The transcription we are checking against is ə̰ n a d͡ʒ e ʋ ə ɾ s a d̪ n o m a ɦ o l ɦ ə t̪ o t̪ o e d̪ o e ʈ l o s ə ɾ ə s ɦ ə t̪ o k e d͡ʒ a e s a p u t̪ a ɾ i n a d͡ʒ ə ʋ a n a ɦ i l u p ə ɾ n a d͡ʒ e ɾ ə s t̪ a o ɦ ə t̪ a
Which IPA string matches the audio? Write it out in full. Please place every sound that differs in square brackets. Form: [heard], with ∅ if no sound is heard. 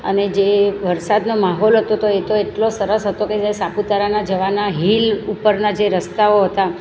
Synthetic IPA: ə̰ n [e] d͡ʒ e ʋ ə ɾ s a d̪ n o m a ɦ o l ɦ ə t̪ o t̪ o e [t̪] o e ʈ l o s ə ɾ ə s ɦ ə t̪ o k e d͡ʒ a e s a p u t̪ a ɾ [a] n a d͡ʒ ə ʋ a n a ɦ i l u p ə ɾ n a d͡ʒ e ɾ ə s t̪ a o ɦ ə t̪ a